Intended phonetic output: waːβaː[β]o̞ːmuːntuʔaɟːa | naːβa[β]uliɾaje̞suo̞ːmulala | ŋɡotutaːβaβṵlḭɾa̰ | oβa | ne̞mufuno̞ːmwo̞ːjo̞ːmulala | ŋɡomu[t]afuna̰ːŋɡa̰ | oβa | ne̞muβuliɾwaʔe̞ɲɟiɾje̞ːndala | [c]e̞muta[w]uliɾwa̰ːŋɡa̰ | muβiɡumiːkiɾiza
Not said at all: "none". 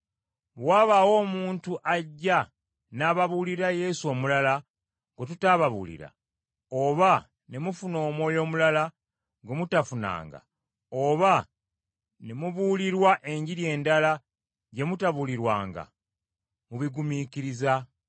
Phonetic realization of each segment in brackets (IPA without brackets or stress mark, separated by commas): w, β, t, ɟ, β